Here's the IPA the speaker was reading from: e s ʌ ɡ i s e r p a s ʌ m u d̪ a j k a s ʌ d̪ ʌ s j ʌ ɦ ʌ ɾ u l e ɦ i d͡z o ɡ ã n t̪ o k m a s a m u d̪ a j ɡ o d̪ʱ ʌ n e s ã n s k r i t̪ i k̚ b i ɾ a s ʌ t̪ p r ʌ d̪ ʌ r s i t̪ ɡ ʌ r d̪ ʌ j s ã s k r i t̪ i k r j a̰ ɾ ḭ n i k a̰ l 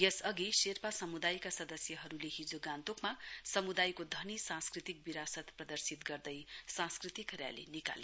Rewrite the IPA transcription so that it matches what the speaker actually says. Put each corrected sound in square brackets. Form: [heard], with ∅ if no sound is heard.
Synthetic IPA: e s ʌ ɡ i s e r p a s ʌ m u d̪ a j k a s ʌ d̪ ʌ s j ʌ ɦ ʌ ɾ u l e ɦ i d͡z o ɡ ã n t̪ o k m a s [ʌ] m u d̪ a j [k] o d̪ʱ ʌ n [i] s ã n s k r i t̪ i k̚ b i ɾ a s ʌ t̪ p r ʌ d̪ ʌ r s i t̪ ɡ ʌ r d̪ ʌ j s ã s k r i t̪ i k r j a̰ [l] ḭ n i k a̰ l